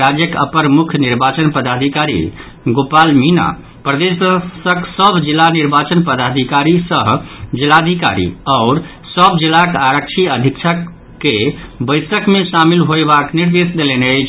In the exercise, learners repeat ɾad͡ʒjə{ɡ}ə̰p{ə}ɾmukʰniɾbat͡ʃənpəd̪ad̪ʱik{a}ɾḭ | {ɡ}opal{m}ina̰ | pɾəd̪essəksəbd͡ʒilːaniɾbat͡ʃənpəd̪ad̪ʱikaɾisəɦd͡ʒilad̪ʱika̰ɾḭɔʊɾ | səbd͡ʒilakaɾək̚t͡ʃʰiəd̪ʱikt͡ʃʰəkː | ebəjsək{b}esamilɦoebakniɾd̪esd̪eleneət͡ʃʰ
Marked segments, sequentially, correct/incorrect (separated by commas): incorrect, correct, correct, correct, correct, incorrect